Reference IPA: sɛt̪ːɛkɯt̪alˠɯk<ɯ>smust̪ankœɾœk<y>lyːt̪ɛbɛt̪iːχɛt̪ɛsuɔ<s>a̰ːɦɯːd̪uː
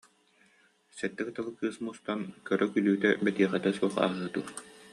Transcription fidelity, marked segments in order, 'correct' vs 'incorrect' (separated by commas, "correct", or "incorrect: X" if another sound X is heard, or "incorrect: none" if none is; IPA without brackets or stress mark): incorrect: ɯː, correct, incorrect: χ